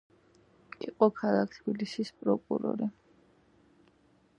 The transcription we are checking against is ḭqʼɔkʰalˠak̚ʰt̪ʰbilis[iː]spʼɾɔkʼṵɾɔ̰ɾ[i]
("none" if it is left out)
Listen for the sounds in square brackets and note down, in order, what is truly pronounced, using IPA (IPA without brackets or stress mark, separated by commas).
i, i